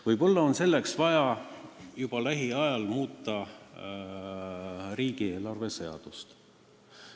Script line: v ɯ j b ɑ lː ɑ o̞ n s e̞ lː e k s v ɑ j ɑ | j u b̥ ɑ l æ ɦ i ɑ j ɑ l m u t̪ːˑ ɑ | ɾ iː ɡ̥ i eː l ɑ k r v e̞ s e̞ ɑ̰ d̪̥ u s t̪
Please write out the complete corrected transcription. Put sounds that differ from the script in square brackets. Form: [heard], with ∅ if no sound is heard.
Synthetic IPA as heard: v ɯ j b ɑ lː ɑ o̞ n s e̞ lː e k s v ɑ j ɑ | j u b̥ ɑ l æ ɦ i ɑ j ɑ l m [uː] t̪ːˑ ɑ | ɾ iː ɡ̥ i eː l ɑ [∅] r v e̞ s e̞ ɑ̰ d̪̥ u s t̪